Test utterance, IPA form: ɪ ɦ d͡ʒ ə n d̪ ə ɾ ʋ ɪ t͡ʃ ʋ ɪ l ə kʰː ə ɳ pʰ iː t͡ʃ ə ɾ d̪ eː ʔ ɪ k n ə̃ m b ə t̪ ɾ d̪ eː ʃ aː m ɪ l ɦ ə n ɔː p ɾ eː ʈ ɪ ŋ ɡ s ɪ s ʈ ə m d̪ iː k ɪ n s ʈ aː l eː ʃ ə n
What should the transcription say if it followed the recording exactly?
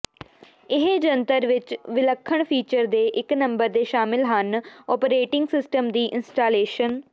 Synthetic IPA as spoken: ɪ ɦ d͡ʒ ə n t̪ ə ɾ ʋ ɪ t͡ʃ ʋ ɪ l ə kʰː ə ɳ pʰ iː t͡ʃ ə ɾ d̪ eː ʔ ɪ k n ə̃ m b ə ɾ d̪ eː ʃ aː m ɪ l ɦ ə n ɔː p ɾ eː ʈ ɪ ŋ ɡ s ɪ s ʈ ə m d̪ iː ʔ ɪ n s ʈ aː l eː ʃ ə n